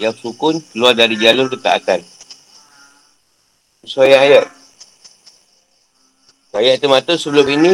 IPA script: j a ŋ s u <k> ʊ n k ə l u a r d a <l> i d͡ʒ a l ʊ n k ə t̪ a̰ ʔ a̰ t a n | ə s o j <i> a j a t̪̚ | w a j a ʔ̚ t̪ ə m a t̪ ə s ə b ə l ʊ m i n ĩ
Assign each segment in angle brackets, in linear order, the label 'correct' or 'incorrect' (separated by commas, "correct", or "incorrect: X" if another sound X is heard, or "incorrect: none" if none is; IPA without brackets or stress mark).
correct, incorrect: ɾ, incorrect: a